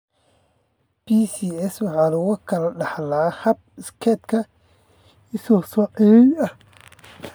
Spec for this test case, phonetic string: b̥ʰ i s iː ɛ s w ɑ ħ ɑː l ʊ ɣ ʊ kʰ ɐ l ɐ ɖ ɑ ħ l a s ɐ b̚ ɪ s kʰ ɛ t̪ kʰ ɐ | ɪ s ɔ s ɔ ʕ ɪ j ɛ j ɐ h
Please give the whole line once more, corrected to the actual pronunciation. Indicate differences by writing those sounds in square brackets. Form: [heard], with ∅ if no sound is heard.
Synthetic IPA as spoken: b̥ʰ i s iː ɛ s w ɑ ħ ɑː l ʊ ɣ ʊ kʰ ɐ l ɐ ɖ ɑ ħ l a [h] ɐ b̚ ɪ s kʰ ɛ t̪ kʰ ɐ | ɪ s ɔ s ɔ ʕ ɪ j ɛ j ɐ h